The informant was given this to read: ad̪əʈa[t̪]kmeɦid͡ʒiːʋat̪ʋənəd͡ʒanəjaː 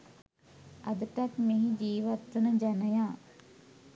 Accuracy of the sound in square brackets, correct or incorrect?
incorrect